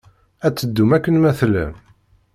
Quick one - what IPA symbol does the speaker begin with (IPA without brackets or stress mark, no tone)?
æ